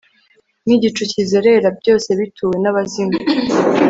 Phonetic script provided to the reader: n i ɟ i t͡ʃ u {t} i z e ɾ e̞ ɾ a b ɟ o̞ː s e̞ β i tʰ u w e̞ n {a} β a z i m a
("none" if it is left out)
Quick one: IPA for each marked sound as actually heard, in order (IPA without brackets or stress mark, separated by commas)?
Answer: c, a